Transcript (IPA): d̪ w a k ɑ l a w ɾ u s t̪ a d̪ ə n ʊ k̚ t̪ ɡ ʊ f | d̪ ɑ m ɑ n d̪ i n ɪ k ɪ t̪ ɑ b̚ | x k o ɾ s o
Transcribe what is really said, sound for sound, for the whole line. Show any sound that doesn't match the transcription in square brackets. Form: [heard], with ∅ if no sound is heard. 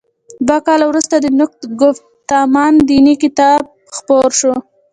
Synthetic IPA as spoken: d̪ w a k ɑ l a w ɾ u s t̪ a d̪ ə n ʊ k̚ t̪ ɡ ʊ f | [t̪] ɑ m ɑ n d̪ i n [i] k ɪ t̪ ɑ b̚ | x [p] o ɾ [ʃ] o